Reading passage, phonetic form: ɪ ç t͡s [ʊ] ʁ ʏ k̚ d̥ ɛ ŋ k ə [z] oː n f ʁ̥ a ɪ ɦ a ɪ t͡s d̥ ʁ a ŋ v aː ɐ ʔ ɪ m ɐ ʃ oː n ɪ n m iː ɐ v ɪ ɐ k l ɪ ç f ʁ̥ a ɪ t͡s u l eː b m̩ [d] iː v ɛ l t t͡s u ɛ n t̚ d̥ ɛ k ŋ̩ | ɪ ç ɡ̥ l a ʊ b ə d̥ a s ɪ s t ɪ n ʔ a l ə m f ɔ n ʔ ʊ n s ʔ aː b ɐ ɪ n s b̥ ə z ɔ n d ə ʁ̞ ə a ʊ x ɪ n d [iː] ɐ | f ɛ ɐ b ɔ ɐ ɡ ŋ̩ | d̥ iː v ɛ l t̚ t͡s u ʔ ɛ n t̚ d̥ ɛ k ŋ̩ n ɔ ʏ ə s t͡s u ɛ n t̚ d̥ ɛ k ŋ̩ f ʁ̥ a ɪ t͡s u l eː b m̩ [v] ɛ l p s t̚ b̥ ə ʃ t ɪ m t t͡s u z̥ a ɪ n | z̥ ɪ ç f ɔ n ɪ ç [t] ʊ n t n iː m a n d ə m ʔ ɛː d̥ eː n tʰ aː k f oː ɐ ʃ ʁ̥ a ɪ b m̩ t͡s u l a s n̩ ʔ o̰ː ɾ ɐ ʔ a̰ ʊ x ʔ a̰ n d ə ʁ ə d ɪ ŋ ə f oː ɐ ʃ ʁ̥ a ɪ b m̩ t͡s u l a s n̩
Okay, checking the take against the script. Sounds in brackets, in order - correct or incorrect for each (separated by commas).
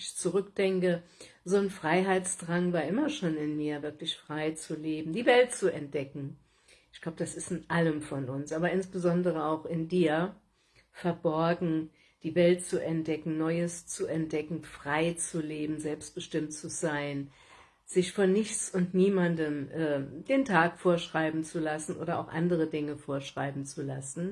incorrect, correct, correct, correct, incorrect, incorrect